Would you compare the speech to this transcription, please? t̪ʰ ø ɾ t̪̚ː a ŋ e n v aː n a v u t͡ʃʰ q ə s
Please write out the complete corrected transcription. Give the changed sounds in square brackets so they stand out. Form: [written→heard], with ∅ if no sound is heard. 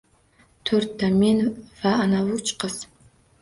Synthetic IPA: t̪ʰ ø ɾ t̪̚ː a [ŋ→m] e n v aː n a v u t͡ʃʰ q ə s